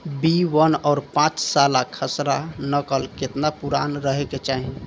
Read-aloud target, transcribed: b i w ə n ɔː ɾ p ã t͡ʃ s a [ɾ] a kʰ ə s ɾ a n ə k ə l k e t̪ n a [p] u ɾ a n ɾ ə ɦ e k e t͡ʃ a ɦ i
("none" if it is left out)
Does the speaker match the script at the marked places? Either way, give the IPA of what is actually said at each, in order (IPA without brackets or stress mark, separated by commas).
l, p